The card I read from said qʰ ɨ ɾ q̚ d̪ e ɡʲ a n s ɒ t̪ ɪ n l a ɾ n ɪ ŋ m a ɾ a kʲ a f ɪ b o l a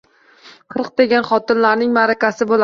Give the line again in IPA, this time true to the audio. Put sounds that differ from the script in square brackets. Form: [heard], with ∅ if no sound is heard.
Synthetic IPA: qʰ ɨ ɾ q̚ d̪ e ɡʲ a n [χ] ɒ t̪ ɪ n l a ɾ n ɪ ŋ m a ɾ a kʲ a [s] ɪ b o l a